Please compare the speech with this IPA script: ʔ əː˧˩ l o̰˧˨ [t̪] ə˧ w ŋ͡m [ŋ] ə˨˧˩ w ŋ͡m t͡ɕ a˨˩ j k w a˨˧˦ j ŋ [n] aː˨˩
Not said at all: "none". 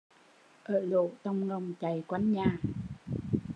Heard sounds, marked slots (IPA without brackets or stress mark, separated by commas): t̪, ŋ, ɲ